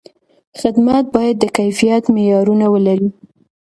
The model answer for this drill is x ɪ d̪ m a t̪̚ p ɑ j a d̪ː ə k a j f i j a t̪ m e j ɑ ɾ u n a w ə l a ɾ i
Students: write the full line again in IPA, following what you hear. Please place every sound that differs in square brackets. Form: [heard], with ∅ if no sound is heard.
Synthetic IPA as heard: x ɪ d̪ m a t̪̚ [b] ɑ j a d̪ː ə k a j f i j a t̪ m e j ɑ ɾ u n a w ə l a ɾ i